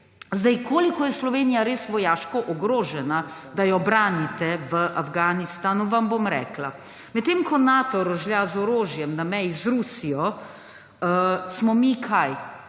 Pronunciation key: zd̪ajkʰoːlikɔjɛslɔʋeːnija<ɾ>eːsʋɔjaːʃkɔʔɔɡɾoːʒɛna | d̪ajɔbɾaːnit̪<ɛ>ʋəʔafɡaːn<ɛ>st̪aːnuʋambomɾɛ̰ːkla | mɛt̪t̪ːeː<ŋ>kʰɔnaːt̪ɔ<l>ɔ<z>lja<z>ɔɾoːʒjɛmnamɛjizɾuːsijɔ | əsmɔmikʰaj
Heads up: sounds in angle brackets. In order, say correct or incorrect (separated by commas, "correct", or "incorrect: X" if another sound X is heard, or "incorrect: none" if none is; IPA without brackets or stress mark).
correct, correct, incorrect: i, incorrect: m, incorrect: ɾ, incorrect: ʒ, correct